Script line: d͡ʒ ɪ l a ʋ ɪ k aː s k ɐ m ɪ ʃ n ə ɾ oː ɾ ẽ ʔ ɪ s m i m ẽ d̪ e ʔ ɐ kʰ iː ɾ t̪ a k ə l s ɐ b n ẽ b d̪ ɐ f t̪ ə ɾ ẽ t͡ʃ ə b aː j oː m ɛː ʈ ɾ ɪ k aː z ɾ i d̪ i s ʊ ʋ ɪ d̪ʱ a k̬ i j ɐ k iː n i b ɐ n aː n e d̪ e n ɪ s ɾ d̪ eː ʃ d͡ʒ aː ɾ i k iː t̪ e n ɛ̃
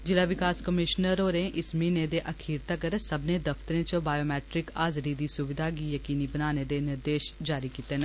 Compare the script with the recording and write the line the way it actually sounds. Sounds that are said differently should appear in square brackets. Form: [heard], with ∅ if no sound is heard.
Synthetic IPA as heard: d͡ʒ ɪ l a ʋ ɪ k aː s k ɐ m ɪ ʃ n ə ɾ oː ɾ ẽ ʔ ɪ s m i [n] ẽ d̪ e ʔ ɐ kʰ iː ɾ t̪ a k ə [ɾ] s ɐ b n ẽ [∅] d̪ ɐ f t̪ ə ɾ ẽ t͡ʃ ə b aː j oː m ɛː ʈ ɾ ɪ k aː z ɾ i d̪ i s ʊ ʋ ɪ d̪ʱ a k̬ i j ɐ k iː n i b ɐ n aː n e d̪ e n ɪ [∅] ɾ d̪ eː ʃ d͡ʒ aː ɾ i k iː t̪ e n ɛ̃